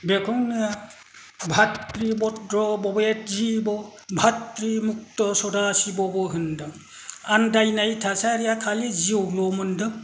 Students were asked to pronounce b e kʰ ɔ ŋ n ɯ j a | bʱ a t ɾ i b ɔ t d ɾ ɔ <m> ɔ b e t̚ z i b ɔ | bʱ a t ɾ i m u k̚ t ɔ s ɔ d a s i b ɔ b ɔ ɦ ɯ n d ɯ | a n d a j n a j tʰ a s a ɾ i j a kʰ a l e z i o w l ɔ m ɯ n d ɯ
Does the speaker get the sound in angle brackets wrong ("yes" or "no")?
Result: yes